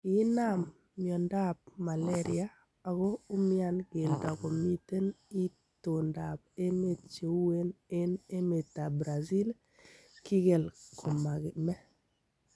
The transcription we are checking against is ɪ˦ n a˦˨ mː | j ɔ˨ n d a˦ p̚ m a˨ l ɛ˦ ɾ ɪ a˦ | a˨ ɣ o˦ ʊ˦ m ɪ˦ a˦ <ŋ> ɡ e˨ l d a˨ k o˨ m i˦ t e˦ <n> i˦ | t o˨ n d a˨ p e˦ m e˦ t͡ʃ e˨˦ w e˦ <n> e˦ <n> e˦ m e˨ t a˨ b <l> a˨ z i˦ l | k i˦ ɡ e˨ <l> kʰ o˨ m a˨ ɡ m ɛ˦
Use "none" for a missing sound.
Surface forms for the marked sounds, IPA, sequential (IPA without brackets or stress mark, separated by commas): n, n, n, n, ɾ, l